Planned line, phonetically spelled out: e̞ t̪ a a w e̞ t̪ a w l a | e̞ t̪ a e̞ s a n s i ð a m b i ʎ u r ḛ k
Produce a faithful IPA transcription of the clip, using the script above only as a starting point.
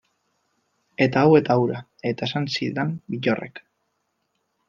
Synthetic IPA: e̞ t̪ a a w e̞ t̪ a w ɾ a | e̞ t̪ a e̞ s a n s i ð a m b i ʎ o r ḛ k